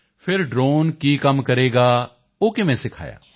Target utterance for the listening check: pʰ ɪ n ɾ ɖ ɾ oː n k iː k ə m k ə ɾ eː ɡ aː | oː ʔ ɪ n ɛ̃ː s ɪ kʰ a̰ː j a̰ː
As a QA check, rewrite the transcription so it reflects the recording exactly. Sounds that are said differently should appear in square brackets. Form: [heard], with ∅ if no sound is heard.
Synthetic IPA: pʰ ɪ [∅] ɾ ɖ ɾ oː n k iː k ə m k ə ɾ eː ɡ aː | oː [k] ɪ [m] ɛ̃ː s ɪ kʰ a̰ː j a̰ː